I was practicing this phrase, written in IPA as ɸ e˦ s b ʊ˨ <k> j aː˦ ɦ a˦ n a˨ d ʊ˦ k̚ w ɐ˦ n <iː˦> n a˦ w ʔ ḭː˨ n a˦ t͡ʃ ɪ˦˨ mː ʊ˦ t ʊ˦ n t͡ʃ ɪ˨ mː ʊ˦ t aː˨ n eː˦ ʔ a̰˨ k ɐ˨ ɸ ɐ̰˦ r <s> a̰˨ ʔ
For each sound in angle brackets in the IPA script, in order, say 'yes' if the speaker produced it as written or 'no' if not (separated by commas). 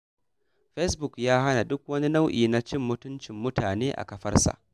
yes, no, yes